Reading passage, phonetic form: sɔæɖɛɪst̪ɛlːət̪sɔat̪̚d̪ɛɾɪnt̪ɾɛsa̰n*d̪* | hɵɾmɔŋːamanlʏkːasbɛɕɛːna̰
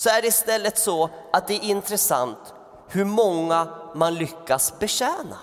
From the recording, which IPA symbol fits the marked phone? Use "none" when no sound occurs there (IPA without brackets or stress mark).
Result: t̪